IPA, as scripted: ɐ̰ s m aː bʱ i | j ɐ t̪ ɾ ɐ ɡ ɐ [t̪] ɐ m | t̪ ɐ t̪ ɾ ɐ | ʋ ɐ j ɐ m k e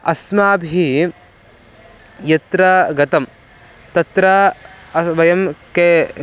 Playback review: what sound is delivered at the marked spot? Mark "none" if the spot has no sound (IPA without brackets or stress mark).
t̪